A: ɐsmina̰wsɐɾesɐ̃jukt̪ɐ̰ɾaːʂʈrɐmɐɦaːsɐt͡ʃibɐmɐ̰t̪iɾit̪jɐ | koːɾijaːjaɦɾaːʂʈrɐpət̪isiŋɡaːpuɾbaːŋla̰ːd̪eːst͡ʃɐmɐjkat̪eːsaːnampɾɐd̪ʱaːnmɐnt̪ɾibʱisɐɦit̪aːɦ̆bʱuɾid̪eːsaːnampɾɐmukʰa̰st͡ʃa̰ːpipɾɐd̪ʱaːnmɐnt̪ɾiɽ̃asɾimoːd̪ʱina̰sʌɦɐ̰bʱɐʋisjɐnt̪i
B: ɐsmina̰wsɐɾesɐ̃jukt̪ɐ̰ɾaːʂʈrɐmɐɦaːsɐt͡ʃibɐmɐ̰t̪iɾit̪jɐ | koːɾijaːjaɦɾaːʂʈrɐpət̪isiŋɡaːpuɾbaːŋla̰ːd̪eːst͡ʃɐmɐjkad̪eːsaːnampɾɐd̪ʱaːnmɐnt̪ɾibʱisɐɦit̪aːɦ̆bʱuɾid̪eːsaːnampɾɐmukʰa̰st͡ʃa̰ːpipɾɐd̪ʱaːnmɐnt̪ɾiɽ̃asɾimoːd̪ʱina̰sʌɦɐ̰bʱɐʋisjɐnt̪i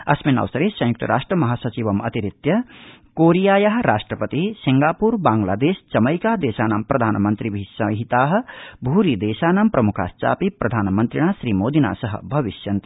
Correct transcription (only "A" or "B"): B